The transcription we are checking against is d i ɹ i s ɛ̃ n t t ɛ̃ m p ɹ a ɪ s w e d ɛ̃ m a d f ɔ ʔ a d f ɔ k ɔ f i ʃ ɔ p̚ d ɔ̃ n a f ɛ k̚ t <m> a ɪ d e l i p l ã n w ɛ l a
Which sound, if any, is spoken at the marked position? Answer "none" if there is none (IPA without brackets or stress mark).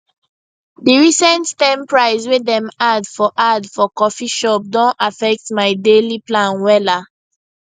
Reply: m